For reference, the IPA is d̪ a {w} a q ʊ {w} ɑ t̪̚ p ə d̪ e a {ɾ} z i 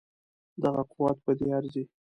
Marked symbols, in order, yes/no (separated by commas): no, yes, yes